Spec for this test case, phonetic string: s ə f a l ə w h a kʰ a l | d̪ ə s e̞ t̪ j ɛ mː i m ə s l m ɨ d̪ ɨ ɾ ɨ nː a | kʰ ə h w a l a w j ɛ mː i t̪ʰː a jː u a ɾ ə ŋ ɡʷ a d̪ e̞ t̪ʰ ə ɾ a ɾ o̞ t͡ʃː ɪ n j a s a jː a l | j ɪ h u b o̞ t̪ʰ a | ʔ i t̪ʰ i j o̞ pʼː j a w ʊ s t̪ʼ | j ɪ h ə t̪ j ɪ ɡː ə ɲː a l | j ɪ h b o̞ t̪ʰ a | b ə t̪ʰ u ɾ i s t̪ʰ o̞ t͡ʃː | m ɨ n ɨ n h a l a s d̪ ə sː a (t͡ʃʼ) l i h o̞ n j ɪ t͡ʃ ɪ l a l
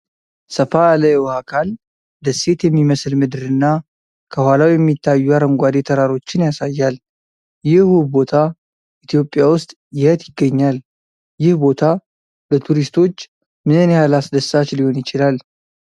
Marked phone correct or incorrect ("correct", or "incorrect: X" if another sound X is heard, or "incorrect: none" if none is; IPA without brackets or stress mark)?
incorrect: t͡ʃ